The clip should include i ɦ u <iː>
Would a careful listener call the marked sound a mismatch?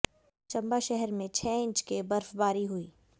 no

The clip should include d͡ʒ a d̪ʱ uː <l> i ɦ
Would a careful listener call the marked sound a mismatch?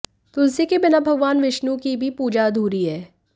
yes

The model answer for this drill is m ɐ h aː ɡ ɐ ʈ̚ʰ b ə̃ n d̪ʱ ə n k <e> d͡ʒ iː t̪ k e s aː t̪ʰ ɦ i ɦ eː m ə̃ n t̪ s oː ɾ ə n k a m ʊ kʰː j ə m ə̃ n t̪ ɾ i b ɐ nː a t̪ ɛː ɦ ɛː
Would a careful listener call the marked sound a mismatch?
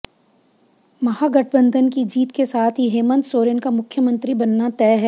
yes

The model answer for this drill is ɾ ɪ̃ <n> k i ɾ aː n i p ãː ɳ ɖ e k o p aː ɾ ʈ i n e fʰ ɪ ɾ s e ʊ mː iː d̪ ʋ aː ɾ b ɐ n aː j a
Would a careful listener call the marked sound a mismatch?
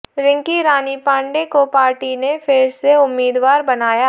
yes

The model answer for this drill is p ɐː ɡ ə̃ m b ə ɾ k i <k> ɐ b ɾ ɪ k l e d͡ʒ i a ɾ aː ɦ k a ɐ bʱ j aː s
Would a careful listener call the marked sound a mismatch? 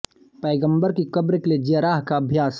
no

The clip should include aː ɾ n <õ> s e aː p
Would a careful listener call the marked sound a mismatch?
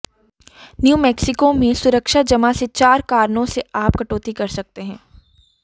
no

